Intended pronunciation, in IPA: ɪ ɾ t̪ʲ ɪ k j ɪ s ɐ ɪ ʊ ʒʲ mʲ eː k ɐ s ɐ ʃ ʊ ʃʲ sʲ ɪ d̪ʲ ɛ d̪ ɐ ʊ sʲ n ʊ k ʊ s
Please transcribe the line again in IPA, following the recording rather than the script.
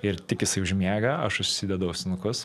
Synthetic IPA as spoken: ɪ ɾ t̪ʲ ɪ k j ɪ s ɐ ɪ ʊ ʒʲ mʲ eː ɡ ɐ ɐ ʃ ʊ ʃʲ sʲ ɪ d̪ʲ ɛ d̪ ɐ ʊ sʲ n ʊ k ʊ s